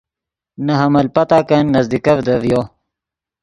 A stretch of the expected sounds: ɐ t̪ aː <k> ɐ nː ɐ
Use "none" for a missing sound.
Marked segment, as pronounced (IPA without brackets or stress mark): k